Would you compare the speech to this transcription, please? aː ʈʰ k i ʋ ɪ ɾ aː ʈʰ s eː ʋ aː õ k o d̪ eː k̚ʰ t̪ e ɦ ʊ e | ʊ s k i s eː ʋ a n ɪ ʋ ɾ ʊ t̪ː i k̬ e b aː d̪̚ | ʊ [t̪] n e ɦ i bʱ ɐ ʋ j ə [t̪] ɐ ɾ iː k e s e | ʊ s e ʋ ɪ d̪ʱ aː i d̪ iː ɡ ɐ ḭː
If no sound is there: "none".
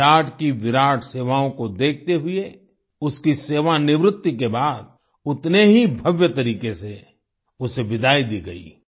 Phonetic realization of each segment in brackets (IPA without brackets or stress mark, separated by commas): t̪, t̪